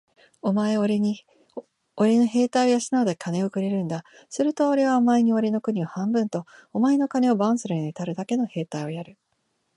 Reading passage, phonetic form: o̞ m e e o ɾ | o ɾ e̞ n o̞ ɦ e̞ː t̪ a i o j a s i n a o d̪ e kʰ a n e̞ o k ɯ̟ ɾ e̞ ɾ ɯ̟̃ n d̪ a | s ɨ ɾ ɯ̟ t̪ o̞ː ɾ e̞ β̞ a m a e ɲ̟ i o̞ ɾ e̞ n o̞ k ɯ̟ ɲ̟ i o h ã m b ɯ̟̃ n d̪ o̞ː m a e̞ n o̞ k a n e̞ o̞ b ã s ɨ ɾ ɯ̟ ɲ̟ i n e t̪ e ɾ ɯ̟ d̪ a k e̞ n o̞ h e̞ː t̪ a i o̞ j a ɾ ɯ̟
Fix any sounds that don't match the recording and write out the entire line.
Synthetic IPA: o̞ m a e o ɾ | o ɾ e̞ n o̞ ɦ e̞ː t̪ a i o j a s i n a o d̪ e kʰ a n e̞ o k ɯ̟ ɾ e̞ ɾ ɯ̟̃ n d̪ a | s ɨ ɾ ɯ̟ t̪ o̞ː ɾ e̞ β̞ a m a e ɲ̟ i o̞ ɾ e̞ n o̞ k ɯ̟ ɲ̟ i o h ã m b ɯ̟̃ n t̪ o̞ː m a e̞ n o̞ k a n e̞ o̞ b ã s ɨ ɾ ɯ̟ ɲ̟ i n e t̪ a ɾ ɯ̟ d̪ a k e̞ n o̞ h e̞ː t̪ a i o̞ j a ɾ ɯ̟